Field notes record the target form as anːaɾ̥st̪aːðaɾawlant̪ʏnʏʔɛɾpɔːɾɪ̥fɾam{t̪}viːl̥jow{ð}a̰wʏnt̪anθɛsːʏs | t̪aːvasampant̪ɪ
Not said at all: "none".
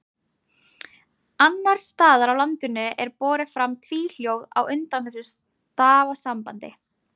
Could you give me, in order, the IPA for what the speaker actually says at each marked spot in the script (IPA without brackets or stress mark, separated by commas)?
t̪ʰ, ð